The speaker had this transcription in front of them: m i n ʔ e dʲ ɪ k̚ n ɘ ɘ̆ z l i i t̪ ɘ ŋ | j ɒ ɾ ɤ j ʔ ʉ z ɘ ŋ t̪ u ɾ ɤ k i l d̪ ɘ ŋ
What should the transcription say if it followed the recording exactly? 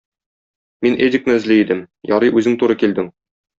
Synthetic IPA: m i n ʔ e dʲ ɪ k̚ n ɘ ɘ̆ z l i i d̪ ɘ m | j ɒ ɾ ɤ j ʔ ʉ z ɘ ŋ t̪ u ɾ ɤ k i l d̪ ɘ ŋ